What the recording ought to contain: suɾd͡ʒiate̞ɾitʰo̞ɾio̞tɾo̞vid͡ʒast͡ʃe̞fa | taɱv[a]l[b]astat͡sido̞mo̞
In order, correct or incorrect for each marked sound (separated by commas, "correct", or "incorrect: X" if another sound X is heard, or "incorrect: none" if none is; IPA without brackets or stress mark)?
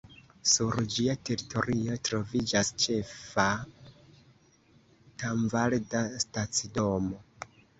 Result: correct, incorrect: d